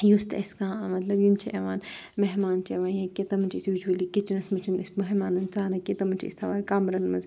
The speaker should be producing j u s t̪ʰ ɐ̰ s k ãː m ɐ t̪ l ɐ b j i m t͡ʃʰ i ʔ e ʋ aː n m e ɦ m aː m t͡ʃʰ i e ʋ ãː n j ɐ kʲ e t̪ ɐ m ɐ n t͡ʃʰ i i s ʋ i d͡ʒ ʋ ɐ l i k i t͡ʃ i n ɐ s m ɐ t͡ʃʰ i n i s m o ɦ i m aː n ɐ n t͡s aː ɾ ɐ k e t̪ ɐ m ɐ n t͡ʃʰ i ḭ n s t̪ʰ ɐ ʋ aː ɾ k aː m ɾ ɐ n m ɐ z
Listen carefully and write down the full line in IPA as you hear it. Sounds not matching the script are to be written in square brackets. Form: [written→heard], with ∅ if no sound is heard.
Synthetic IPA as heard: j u s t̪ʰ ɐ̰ s k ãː m ɐ t̪ l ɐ b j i m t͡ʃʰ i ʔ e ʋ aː n m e ɦ m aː [m→n] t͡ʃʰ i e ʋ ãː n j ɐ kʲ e t̪ ɐ m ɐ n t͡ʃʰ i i s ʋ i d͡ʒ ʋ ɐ l i k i t͡ʃ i n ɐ s m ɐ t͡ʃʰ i n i s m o ɦ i m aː n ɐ n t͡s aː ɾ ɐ k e t̪ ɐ m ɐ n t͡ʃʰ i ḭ [n→∅] s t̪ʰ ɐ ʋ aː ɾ k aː m ɾ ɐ n m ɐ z